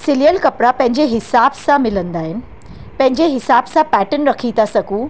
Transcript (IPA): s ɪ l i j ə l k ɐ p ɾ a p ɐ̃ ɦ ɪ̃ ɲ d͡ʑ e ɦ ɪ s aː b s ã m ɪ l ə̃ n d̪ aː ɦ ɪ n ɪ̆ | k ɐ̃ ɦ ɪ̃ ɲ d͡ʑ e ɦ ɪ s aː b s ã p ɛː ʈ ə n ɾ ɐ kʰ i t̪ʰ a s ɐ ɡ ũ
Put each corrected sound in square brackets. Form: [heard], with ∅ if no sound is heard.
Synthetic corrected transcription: s ɪ l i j ə l k ɐ p ɾ a p ɐ̃ ɦ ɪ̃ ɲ d͡ʑ e ɦ ɪ s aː b s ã m ɪ l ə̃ n d̪ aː ɦ ɪ n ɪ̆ | [p] ɐ̃ ɦ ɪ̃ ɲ d͡ʑ e ɦ ɪ s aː b s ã p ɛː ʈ ə n ɾ ɐ kʰ i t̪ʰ a s ɐ ɡ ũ